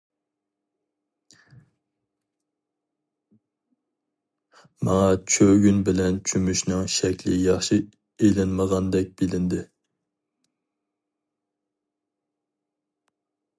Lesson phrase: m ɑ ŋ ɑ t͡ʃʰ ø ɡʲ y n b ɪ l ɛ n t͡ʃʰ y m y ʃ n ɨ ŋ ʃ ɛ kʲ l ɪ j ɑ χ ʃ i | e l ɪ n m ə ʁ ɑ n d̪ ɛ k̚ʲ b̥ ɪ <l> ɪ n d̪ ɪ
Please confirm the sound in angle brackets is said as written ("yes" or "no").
yes